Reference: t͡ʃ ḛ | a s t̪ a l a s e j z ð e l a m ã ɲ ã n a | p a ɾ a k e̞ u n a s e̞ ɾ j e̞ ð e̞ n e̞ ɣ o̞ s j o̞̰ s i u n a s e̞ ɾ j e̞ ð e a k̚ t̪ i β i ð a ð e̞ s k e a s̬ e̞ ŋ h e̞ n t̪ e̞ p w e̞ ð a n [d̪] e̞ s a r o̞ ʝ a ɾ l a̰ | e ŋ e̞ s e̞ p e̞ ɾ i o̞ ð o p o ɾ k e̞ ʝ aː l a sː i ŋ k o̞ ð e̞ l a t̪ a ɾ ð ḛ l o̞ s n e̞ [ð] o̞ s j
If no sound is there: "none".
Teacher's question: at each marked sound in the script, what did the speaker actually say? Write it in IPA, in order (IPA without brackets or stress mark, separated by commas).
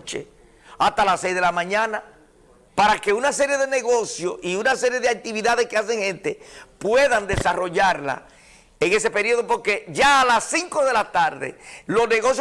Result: d̪, ɣ